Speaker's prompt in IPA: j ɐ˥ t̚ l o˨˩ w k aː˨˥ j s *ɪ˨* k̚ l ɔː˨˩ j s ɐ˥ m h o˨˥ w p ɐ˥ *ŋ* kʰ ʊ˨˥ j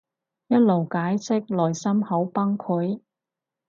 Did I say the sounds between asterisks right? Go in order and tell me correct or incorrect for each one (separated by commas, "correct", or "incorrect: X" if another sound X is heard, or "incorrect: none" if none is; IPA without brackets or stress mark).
incorrect: ɪ˥, correct